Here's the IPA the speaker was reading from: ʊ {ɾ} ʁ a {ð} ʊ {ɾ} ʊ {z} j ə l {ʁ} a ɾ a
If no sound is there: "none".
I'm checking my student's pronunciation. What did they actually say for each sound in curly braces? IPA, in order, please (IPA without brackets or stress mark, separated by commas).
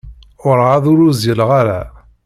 ɾ, ð, ɾ, z, ʁ